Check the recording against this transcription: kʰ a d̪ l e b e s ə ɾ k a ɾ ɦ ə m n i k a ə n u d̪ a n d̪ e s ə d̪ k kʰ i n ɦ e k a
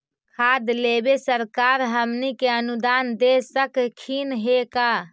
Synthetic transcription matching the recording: kʰ a d̪ l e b e s ə ɾ k a ɾ ɦ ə m n i k e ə n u d̪ a n d̪ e s ə k kʰ i n ɦ e k a